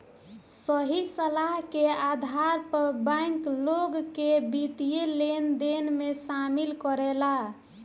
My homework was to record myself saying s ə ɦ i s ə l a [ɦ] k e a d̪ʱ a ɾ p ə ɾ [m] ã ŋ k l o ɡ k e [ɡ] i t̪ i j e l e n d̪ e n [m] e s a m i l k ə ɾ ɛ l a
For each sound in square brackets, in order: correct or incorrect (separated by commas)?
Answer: correct, incorrect, incorrect, correct